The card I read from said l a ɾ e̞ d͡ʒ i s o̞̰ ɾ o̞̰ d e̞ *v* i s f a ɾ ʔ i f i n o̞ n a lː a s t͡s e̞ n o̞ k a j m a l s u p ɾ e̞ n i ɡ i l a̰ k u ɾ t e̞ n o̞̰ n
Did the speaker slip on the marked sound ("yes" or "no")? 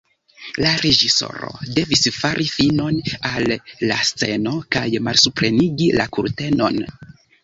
no